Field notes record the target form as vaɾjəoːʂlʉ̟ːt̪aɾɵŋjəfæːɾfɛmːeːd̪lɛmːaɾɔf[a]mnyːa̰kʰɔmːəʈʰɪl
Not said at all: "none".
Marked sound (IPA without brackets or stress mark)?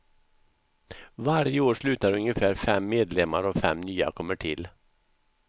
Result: ɛ